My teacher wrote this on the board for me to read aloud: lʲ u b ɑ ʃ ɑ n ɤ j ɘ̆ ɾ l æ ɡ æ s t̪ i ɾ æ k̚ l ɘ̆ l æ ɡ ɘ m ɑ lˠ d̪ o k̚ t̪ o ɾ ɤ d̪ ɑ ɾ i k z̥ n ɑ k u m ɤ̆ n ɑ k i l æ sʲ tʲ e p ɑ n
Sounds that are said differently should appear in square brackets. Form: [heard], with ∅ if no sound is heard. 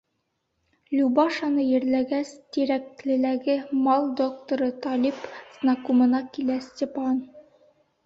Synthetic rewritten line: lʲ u b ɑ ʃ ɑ n ɤ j ɘ̆ ɾ l æ ɡ æ s t̪ i ɾ æ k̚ l ɘ̆ l æ ɡ ɘ m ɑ lˠ d̪ o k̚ t̪ o ɾ ɤ [t̪] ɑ [l] i [p] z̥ n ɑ k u m ɤ̆ n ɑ k i l æ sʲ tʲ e p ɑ n